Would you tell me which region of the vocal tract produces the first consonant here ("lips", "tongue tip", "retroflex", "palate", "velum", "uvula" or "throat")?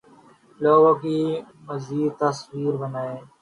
tongue tip